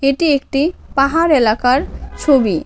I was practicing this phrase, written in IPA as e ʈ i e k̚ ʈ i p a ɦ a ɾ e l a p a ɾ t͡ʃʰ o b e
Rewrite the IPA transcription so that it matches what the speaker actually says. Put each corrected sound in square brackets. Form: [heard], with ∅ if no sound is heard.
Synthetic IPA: e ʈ i e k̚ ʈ i p a ɦ a ɾ e l a [k] a ɾ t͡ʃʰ o b [i]